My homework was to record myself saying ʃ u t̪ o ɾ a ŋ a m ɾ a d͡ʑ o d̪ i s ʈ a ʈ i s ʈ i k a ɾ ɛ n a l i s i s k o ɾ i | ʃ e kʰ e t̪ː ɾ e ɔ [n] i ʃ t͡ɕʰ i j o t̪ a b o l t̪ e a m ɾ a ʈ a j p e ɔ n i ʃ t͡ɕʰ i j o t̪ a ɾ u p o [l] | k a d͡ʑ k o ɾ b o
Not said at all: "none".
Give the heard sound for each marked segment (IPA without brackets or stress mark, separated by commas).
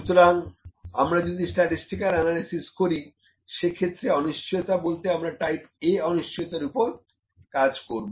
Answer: n, ɾ